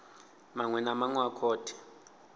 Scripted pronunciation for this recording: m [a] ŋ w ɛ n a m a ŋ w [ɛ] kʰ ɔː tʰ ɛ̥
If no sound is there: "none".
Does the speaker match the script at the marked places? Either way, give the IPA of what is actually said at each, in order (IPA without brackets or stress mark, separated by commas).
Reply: a, a